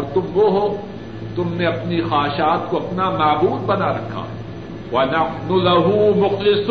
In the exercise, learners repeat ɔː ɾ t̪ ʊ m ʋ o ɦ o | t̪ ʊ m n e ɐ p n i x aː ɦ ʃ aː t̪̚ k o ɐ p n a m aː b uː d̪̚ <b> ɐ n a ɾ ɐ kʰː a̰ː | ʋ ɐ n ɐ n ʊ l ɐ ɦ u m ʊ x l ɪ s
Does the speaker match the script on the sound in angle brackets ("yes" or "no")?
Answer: yes